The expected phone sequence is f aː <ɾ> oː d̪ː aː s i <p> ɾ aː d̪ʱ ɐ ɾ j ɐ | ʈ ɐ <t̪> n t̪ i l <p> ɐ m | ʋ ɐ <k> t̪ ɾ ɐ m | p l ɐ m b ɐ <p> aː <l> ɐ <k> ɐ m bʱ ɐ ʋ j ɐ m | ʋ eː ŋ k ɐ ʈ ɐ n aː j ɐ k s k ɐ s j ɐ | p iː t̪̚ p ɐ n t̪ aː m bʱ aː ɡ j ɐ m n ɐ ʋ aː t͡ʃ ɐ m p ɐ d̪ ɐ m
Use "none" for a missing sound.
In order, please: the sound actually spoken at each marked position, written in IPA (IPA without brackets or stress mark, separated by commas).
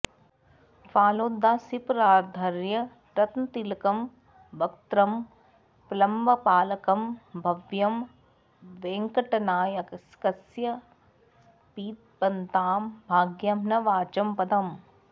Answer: l, p, t̪, k, k, p, l, k